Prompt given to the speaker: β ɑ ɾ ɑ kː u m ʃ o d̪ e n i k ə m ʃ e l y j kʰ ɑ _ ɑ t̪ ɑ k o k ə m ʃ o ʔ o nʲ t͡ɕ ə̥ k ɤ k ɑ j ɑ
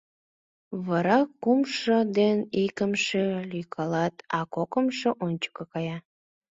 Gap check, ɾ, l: l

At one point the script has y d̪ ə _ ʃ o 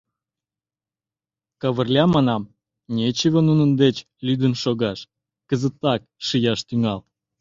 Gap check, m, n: n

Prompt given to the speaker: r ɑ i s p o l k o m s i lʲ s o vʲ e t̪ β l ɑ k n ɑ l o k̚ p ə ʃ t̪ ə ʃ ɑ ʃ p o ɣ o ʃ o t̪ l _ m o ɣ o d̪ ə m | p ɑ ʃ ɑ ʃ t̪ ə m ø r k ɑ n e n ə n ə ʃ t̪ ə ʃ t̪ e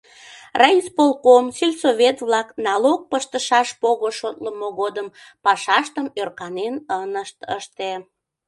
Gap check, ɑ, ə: ə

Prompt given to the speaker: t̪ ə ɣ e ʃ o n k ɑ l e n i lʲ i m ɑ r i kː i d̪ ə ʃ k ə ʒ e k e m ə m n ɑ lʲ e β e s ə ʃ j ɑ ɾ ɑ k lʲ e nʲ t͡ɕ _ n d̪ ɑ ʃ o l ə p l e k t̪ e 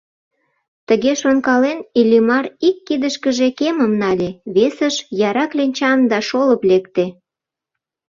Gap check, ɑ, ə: ɑ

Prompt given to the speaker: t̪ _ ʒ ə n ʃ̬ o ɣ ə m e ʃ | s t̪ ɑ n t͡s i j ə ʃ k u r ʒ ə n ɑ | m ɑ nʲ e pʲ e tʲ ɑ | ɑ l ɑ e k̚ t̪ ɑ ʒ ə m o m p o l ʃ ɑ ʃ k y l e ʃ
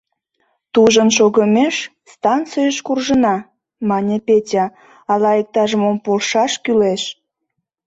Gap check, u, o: u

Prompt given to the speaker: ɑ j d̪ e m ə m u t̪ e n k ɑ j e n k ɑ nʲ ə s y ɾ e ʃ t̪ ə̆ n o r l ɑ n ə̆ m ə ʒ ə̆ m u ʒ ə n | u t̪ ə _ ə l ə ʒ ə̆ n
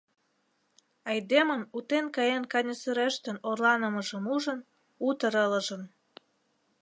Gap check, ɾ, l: ɾ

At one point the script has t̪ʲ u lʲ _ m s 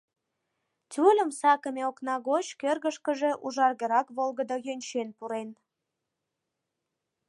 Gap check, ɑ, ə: ə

